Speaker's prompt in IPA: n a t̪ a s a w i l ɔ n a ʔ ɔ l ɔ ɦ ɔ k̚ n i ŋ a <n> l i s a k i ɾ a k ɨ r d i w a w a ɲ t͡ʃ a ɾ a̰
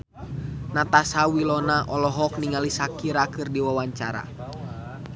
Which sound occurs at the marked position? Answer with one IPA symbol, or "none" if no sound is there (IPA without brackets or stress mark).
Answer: none